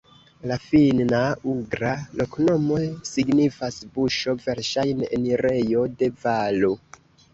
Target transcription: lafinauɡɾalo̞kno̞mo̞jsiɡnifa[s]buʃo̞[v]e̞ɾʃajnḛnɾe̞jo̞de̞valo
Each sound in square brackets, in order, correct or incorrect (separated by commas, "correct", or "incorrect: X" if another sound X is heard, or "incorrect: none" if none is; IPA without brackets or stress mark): correct, correct